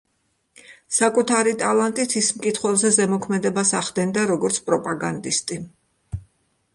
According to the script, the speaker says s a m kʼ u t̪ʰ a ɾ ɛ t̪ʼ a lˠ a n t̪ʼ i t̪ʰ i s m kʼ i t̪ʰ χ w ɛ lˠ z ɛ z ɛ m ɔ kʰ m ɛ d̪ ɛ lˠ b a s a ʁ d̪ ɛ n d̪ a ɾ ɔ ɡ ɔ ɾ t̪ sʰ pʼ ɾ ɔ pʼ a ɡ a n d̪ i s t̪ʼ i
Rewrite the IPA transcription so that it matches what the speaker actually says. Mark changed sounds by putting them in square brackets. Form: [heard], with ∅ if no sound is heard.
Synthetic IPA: s a [∅] kʼ u t̪ʰ a ɾ [i] t̪ʼ a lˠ a n t̪ʼ i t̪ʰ i s m kʼ i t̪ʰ χ w ɛ lˠ z ɛ z ɛ m ɔ kʰ m ɛ d̪ ɛ [∅] b a s a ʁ d̪ ɛ n d̪ a ɾ ɔ ɡ ɔ ɾ t̪ sʰ pʼ ɾ ɔ pʼ a ɡ a n d̪ i s t̪ʼ i